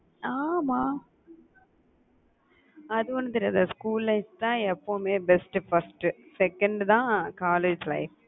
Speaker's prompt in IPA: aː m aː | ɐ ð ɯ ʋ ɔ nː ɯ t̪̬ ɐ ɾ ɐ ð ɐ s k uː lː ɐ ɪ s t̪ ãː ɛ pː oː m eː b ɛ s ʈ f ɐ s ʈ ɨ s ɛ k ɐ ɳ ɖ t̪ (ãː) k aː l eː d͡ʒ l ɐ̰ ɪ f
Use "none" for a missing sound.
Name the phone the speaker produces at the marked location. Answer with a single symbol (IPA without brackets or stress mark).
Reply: ãː